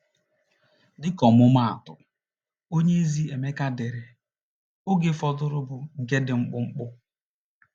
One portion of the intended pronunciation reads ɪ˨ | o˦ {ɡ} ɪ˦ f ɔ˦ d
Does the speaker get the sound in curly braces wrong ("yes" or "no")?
no